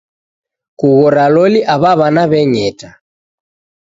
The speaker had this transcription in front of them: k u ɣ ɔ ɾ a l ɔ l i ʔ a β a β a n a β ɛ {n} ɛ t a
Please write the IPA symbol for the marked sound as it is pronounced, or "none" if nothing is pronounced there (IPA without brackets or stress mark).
ɲ